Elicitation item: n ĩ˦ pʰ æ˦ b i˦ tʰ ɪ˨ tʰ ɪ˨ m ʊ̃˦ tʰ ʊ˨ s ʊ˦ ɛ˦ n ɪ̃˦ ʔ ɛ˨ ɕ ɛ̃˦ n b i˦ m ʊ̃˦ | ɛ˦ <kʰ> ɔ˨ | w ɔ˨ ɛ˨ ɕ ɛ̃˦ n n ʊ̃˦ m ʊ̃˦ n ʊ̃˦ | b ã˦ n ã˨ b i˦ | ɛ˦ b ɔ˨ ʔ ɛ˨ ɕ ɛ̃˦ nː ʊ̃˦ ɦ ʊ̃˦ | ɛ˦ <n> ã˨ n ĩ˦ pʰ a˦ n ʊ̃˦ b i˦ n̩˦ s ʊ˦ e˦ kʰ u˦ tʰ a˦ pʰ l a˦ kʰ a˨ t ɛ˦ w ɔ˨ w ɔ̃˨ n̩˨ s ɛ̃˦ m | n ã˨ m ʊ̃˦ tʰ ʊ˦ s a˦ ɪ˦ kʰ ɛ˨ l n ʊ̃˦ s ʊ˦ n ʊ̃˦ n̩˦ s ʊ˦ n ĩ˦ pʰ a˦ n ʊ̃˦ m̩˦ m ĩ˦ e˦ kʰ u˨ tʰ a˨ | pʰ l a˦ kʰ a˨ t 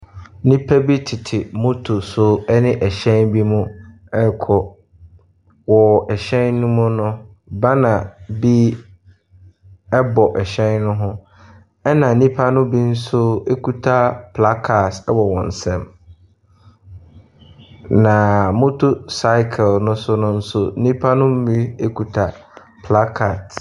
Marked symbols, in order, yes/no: yes, yes

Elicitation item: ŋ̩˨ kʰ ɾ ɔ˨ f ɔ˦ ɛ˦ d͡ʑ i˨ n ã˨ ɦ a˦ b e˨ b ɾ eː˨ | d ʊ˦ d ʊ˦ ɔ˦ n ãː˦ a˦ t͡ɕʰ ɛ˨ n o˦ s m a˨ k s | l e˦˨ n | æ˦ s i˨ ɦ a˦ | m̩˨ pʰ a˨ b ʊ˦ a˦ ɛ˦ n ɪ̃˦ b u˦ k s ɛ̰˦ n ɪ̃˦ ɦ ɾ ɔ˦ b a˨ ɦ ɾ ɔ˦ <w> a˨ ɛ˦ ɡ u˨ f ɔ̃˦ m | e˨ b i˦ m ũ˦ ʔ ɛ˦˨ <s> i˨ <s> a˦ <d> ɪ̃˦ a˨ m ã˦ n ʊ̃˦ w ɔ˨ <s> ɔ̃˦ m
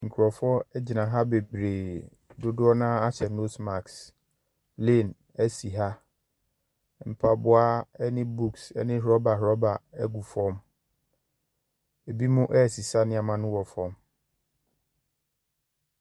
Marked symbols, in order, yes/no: no, yes, yes, no, no

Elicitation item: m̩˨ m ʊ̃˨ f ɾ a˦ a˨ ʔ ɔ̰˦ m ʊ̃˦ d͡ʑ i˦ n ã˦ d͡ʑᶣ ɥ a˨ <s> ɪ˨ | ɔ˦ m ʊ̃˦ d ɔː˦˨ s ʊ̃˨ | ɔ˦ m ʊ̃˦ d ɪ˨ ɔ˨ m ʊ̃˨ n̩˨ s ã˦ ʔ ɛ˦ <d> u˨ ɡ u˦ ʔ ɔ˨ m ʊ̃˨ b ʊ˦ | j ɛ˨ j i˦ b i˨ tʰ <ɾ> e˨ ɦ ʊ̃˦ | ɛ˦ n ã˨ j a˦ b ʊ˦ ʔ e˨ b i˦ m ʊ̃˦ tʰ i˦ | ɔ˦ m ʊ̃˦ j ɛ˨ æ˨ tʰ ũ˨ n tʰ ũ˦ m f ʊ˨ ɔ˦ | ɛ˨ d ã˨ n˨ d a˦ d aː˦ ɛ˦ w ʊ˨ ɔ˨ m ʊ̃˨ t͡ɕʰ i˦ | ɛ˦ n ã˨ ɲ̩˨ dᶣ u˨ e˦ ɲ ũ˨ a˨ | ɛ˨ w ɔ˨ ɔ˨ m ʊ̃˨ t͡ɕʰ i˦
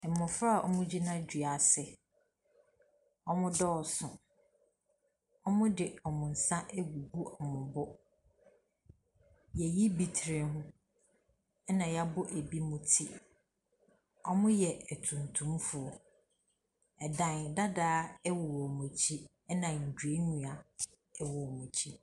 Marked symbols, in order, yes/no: yes, no, yes

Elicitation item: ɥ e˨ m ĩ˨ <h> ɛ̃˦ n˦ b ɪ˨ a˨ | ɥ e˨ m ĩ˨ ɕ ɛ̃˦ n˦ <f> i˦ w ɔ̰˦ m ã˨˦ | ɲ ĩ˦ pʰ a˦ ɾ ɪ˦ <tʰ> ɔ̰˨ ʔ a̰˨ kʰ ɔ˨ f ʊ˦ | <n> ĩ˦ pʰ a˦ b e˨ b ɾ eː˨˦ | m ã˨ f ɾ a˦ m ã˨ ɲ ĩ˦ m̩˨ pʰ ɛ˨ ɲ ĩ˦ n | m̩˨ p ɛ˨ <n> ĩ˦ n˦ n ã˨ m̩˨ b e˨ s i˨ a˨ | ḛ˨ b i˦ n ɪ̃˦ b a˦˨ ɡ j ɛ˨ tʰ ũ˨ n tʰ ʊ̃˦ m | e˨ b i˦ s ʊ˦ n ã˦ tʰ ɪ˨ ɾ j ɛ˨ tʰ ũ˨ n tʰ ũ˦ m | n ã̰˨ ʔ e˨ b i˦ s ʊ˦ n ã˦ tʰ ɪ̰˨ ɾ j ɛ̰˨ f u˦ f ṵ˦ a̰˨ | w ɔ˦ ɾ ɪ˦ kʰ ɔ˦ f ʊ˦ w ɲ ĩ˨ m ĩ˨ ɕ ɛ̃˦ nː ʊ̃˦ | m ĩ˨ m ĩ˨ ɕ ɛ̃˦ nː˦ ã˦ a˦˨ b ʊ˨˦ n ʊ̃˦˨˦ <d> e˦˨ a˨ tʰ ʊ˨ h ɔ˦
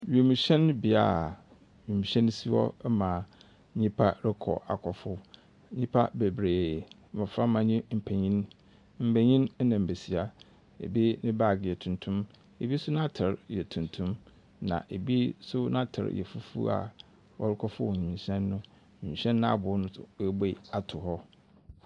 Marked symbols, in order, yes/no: no, no, no, no, no, no

